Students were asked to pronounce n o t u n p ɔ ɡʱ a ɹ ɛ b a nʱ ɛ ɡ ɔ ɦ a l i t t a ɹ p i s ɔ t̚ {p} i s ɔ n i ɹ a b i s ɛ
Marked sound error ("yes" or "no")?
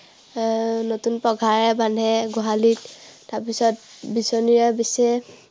yes